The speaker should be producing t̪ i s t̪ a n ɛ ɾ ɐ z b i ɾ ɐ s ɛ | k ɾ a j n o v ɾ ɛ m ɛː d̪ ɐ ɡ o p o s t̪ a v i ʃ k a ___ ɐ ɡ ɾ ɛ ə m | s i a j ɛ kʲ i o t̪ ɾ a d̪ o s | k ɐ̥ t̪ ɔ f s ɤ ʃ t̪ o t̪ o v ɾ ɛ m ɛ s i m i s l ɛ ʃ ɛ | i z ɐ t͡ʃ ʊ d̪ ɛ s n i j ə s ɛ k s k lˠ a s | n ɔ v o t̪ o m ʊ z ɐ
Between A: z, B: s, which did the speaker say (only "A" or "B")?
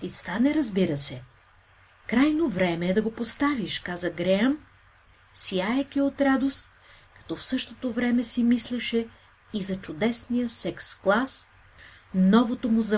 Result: A